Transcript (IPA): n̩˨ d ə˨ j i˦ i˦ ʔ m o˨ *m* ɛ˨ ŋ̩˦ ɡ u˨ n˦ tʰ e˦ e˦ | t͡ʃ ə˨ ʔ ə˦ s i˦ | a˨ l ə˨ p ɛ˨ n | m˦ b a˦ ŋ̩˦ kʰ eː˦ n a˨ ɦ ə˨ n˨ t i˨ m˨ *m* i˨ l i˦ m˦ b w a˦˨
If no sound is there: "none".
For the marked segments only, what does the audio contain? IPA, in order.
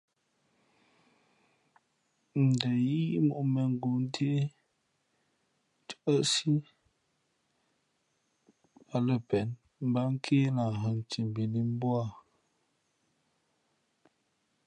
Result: m, b

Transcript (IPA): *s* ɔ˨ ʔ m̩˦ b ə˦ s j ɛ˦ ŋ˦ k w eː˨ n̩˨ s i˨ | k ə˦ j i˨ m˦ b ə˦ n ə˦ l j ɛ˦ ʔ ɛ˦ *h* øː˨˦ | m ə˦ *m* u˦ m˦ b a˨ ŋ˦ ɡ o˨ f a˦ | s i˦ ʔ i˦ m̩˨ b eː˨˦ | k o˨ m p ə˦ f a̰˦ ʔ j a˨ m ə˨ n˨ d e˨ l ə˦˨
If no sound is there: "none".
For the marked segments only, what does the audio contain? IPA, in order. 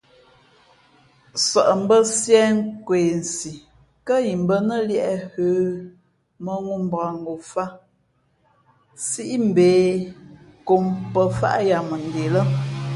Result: s, h, ŋ

